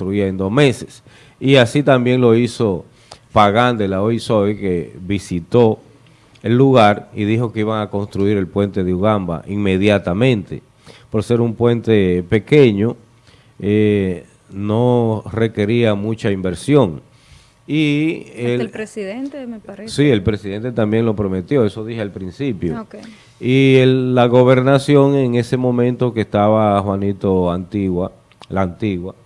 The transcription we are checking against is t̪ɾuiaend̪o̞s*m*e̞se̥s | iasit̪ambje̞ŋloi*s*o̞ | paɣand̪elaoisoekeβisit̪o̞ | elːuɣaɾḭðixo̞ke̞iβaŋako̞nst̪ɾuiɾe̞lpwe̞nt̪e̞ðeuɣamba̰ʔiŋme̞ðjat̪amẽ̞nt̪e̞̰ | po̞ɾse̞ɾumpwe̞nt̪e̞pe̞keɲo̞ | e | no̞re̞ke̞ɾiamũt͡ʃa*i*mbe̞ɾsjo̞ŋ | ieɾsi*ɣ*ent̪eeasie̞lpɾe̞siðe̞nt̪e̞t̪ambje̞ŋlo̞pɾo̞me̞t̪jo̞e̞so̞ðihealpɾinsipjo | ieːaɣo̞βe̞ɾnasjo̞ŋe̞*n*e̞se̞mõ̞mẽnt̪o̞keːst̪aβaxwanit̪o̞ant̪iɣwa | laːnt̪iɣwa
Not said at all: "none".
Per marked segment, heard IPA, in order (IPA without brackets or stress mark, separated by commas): m, s, i, ð, ŋ